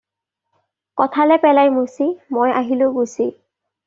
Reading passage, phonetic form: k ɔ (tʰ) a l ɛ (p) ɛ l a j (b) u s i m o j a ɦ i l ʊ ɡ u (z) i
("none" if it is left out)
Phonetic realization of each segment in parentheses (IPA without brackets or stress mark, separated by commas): tʰ, p, m, s